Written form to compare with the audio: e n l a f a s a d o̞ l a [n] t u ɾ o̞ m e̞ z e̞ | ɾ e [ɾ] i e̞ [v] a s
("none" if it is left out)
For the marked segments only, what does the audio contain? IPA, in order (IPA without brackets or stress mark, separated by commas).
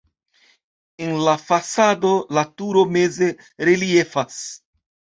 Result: none, l, f